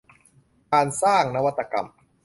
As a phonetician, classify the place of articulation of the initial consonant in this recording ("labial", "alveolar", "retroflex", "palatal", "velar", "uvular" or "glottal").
velar